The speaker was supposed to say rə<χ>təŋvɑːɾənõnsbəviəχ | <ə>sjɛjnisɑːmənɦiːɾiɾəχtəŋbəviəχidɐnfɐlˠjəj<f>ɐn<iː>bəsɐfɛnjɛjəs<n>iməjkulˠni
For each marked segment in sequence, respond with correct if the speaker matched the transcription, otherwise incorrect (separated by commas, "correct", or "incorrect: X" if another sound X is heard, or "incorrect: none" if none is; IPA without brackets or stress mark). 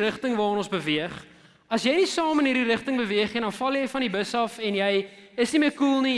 correct, incorrect: ɐ, correct, incorrect: i, correct